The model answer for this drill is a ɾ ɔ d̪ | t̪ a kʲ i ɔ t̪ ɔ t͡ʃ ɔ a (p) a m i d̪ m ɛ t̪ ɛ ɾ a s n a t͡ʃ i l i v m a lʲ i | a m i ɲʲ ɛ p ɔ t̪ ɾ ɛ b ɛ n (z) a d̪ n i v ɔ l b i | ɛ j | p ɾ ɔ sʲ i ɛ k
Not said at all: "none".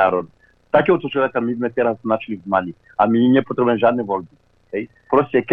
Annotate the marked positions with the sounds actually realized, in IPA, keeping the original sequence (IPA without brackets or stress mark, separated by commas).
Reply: k, ʒ